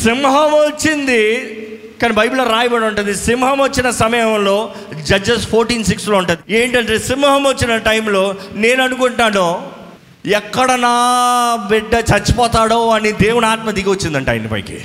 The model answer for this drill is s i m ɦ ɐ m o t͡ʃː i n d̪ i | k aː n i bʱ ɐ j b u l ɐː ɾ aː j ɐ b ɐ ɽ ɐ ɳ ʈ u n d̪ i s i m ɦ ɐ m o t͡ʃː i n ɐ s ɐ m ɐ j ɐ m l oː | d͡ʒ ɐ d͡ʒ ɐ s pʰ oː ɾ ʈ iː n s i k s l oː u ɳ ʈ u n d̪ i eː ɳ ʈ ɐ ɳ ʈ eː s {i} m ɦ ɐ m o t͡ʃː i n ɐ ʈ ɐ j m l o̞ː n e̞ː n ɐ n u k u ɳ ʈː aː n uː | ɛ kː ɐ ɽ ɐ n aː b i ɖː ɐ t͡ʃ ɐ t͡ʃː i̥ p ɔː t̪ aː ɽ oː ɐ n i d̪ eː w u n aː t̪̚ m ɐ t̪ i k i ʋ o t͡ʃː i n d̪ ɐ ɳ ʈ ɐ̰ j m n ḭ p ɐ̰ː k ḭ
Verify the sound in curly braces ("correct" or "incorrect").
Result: correct